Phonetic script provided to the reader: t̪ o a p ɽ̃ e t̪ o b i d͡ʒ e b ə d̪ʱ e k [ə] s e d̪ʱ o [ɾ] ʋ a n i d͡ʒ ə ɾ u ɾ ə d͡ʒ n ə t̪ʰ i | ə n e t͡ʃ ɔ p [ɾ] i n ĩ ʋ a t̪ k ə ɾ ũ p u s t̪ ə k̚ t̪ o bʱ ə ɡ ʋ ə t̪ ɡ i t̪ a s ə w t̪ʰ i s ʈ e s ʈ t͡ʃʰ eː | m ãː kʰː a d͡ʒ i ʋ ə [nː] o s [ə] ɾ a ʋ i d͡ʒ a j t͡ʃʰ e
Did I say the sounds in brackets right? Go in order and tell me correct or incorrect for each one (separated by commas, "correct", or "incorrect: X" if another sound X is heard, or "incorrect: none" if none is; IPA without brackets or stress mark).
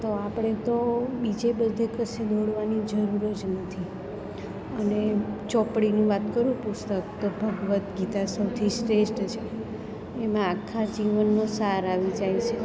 correct, incorrect: ɽ, incorrect: ɽ, correct, incorrect: a